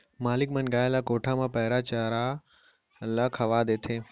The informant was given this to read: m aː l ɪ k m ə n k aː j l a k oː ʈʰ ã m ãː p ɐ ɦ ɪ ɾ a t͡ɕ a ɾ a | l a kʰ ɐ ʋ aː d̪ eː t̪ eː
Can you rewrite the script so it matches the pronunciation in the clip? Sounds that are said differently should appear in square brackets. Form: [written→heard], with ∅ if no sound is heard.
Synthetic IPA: m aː l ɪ k m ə n [k→ɡ] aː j l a k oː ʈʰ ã m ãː p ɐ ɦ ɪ ɾ a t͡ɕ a ɾ a | l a kʰ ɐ ʋ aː d̪ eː [t̪→t̪ʰ] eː